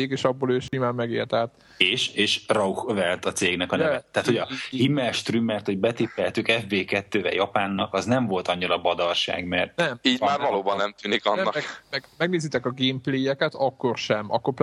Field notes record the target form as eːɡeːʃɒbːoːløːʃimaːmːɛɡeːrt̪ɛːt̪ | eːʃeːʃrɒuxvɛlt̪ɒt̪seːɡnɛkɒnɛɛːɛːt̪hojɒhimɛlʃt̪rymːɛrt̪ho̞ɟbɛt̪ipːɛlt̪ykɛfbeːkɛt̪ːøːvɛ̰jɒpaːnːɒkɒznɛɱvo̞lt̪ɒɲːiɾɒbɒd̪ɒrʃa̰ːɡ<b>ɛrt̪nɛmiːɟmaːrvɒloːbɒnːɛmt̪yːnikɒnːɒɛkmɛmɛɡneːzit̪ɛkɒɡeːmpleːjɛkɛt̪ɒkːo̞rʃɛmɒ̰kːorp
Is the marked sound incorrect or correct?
incorrect